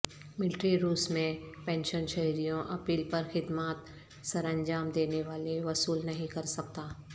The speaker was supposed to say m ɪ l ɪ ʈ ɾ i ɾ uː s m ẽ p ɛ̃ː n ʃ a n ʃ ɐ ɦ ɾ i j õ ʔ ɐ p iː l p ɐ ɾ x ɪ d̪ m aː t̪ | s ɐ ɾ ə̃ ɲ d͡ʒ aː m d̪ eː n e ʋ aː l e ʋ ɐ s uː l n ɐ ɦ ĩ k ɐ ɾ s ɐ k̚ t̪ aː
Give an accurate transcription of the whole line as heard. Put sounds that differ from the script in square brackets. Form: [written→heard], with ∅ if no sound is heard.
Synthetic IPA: m ɪ l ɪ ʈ ɾ i ɾ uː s m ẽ p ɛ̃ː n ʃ [a→ə] n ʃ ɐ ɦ ɾ i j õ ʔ ɐ p iː l p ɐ ɾ x ɪ d̪ m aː t̪ | s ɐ ɾ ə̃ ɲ d͡ʒ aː m d̪ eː n e ʋ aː l e ʋ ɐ s uː l n ɐ ɦ ĩ k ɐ ɾ s ɐ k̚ t̪ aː